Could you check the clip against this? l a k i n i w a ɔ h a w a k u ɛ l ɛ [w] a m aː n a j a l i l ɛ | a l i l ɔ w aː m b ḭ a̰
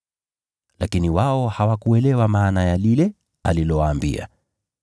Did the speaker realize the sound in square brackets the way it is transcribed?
yes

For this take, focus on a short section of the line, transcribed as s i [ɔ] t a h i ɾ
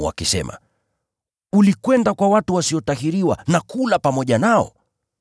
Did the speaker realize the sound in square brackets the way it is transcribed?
yes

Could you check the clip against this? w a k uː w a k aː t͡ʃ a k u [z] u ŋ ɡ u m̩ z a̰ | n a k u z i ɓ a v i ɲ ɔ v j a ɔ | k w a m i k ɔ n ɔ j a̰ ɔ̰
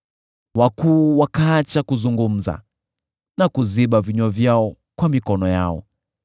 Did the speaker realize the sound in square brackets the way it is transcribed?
yes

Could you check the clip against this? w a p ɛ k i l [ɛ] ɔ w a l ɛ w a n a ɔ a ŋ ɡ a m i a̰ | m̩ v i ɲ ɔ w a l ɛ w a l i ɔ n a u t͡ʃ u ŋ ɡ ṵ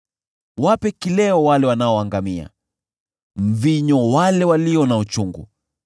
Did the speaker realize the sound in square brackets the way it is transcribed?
yes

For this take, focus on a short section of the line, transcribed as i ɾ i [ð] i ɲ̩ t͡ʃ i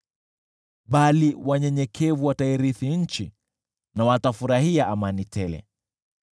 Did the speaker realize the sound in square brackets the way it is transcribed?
no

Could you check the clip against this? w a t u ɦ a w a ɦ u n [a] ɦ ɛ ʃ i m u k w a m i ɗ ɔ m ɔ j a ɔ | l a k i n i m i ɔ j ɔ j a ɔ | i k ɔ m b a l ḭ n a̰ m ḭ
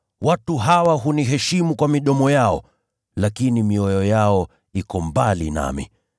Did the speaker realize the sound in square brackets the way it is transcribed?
no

